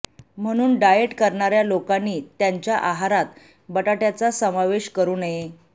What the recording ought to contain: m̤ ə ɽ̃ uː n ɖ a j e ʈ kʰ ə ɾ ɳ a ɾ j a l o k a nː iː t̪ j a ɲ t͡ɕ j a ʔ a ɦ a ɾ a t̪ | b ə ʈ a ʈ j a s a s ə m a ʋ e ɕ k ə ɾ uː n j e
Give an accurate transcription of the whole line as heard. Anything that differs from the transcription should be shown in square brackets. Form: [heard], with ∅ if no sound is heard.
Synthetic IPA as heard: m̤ ə ɽ̃ uː n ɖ a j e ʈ [k] ə ɾ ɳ a ɾ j a l o k a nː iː t̪ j a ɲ t͡ɕ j a ʔ a ɦ a ɾ a t̪ | b ə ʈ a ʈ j a [t͡s] a s ə m a ʋ e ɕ k ə ɾ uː n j e